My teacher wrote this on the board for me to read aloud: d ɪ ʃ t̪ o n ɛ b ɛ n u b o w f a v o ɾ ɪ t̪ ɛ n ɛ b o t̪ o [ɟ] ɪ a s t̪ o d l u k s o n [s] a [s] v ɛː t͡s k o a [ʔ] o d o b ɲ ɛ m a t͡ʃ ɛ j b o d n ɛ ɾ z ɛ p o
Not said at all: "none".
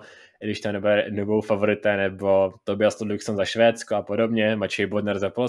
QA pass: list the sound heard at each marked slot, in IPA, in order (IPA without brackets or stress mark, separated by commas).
b, z, ʃ, p